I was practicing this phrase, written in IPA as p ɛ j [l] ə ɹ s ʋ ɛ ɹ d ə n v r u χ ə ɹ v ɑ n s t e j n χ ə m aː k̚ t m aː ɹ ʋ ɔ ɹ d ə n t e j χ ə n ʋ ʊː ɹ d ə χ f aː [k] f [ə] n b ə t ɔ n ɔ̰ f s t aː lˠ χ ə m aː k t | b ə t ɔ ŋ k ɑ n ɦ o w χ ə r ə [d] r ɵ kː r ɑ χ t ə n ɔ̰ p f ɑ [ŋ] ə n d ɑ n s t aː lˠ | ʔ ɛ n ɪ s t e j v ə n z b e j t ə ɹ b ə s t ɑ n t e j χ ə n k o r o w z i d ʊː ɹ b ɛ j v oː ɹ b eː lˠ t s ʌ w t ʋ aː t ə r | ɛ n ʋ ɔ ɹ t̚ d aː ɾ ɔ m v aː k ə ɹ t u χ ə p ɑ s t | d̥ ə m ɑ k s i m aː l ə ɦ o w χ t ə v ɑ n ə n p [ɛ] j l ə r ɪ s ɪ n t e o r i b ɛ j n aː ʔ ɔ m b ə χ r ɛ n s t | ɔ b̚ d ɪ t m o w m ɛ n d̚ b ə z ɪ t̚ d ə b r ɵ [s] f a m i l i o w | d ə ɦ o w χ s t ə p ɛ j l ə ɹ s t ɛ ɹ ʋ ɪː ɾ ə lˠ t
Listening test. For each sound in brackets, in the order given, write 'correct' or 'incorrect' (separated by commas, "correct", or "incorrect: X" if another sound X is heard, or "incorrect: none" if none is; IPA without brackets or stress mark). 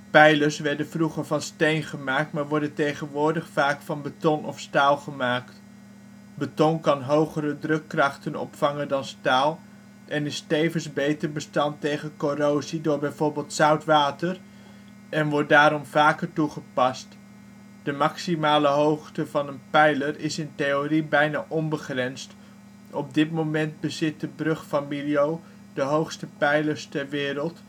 correct, correct, incorrect: ɑ, correct, correct, correct, incorrect: χ